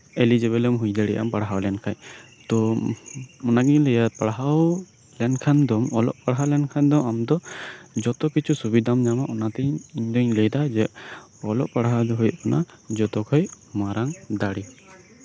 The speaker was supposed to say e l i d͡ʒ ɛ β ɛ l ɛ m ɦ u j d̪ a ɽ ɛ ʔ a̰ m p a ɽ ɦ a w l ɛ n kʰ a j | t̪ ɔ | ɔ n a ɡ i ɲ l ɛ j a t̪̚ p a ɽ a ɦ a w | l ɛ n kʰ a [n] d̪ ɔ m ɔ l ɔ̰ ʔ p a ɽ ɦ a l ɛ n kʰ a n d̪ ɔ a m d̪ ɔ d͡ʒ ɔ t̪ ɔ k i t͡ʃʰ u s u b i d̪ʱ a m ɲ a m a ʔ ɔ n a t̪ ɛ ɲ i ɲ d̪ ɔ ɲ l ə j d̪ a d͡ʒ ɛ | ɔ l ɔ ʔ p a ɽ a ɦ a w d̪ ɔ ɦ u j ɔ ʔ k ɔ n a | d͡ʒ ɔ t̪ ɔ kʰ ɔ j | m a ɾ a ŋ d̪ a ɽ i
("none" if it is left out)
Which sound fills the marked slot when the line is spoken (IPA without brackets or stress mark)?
n